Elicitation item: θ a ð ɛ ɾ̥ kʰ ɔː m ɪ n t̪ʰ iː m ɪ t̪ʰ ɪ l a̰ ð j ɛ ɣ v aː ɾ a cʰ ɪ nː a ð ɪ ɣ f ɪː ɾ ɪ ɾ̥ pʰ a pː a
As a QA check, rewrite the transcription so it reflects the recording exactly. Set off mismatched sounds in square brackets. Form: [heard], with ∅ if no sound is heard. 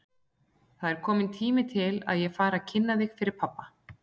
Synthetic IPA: θ a ð ɛ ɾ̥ kʰ ɔː m ɪ n t̪ʰ iː m ɪ t̪ʰ ɪ l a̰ ð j ɛ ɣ [f] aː ɾ a cʰ ɪ nː a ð ɪ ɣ f [ɪ] ɾ ɪ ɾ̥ pʰ a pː a